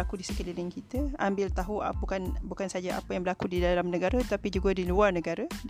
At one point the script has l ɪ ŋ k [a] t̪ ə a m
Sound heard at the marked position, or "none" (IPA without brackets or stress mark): i